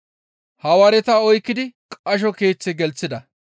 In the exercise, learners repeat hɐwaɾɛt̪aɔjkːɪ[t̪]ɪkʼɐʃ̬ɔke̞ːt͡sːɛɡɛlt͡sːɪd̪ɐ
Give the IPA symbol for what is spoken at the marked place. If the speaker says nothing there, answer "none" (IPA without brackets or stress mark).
d̪